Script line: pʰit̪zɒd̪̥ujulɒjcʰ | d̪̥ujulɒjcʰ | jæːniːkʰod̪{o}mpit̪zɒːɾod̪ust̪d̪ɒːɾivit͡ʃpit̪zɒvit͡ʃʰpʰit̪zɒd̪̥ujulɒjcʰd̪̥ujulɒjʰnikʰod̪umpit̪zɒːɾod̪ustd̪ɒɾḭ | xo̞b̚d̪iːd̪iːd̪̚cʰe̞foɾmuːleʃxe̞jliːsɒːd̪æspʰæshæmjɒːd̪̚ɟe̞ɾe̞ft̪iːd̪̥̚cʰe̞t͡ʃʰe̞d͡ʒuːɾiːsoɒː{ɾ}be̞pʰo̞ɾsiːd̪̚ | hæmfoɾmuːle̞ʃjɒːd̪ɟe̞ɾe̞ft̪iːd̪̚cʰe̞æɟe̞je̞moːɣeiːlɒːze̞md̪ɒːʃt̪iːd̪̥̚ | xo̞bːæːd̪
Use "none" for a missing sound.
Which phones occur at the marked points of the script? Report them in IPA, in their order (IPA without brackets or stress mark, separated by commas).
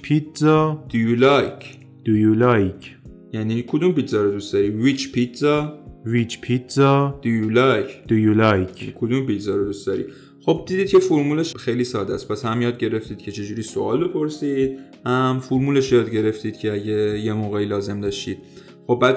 u, l